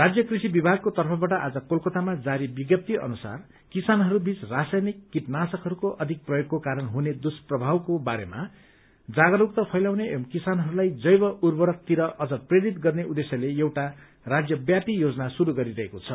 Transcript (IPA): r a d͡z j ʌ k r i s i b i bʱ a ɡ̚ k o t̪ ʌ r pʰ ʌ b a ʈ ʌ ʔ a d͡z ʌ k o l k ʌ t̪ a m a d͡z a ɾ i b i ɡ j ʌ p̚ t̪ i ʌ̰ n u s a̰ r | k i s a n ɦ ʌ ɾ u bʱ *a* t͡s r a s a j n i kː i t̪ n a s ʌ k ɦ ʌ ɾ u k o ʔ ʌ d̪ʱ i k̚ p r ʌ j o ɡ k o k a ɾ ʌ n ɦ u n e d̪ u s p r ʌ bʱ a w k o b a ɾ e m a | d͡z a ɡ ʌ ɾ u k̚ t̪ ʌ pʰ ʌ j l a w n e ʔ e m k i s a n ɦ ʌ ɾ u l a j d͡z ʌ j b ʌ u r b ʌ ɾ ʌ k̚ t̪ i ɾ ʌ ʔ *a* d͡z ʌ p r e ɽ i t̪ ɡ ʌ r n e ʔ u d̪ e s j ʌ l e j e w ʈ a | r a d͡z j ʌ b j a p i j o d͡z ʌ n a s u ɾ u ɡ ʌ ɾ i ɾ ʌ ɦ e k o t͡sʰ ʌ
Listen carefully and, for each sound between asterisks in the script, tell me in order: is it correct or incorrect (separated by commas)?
incorrect, incorrect